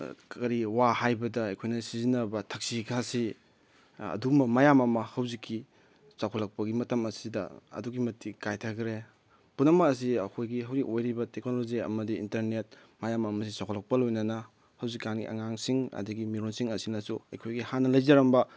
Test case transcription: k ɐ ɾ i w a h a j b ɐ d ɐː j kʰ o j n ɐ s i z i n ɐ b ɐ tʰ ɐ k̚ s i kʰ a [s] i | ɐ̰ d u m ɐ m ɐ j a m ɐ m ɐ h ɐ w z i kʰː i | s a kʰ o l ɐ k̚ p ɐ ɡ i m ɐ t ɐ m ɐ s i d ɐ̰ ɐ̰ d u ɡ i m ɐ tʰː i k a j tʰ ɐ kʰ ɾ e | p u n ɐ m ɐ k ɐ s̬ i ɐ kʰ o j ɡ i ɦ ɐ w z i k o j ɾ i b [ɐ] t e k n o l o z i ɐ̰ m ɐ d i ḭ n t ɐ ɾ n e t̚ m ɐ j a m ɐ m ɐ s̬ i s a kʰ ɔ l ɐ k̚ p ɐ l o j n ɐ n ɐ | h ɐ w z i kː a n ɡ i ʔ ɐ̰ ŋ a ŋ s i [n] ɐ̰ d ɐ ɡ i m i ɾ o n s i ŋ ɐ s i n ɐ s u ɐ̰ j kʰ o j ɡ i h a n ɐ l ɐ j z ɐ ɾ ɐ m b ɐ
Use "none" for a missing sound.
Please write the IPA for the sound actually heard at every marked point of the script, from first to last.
s, ɐ, ŋ

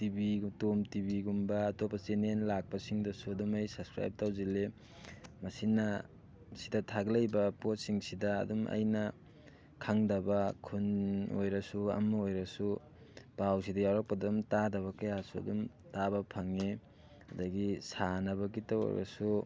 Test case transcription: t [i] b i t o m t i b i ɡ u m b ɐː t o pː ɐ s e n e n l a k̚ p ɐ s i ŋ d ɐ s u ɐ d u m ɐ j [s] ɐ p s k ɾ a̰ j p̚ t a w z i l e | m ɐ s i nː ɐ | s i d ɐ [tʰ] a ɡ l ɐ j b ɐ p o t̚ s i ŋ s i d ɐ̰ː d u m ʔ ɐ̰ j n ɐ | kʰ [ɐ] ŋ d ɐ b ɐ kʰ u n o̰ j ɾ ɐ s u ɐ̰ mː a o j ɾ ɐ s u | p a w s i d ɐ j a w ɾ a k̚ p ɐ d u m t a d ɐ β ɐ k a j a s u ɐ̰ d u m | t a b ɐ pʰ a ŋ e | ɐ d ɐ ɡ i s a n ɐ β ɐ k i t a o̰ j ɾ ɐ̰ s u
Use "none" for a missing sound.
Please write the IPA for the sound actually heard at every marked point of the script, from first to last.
i, s, tʰ, a

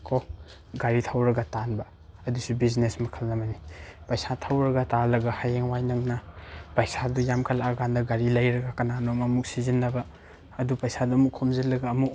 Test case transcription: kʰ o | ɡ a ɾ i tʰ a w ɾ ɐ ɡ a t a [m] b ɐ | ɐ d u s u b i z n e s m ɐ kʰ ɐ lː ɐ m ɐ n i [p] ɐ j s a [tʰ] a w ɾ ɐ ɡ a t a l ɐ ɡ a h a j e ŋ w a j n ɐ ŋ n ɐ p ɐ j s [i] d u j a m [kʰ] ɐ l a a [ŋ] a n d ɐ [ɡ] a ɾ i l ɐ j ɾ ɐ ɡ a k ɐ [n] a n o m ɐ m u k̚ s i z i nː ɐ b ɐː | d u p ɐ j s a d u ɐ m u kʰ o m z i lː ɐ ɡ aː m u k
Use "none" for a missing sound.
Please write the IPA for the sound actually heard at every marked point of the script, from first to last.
n, p, tʰ, a, kʰ, ɡ, ɡ, n

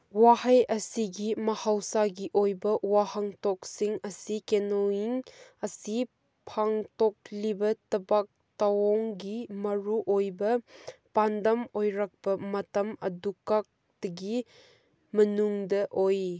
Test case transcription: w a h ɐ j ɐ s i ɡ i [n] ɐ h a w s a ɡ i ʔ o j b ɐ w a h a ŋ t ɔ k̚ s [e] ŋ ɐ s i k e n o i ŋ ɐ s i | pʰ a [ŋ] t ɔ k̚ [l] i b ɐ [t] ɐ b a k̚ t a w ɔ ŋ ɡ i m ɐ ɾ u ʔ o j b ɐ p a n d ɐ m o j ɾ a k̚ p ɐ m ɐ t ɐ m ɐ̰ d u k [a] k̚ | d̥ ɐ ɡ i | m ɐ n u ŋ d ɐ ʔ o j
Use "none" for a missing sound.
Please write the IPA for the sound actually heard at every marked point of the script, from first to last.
m, i, ŋ, l, t, a

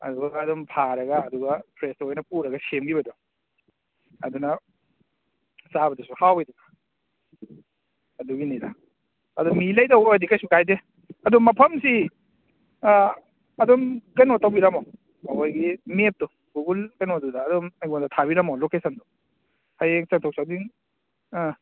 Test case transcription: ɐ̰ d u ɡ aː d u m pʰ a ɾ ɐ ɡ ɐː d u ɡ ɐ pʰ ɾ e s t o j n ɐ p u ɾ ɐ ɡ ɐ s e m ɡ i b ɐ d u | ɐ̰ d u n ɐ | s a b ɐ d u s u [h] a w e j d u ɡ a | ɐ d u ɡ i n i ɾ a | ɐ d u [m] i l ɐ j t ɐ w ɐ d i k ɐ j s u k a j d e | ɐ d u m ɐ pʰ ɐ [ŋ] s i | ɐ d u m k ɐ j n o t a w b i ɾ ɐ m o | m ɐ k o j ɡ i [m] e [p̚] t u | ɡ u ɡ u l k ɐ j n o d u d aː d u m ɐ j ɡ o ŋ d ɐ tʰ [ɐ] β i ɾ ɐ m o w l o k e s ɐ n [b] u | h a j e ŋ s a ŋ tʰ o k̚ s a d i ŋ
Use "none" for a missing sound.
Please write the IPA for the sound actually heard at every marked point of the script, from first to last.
h, m, m, m, p̚, a, d

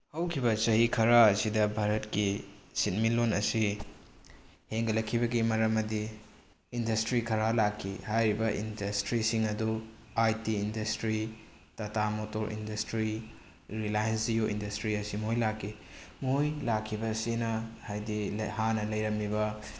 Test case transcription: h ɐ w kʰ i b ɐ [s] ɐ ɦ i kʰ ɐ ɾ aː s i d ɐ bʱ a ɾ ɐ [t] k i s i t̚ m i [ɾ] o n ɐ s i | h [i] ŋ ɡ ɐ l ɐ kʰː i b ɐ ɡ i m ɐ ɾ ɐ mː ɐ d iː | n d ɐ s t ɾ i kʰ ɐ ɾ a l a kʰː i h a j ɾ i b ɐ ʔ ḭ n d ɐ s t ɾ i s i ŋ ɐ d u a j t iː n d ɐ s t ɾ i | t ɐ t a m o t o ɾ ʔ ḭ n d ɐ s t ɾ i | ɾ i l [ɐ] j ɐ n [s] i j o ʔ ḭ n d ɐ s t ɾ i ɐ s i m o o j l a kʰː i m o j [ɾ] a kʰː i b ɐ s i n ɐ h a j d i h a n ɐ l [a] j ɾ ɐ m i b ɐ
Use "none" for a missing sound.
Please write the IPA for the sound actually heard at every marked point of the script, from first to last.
s, t, l, e, a, s, l, ɐ

